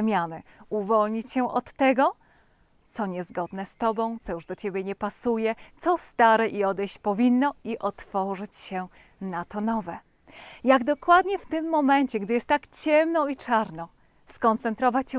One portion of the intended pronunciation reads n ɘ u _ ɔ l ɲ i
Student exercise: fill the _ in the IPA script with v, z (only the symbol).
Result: v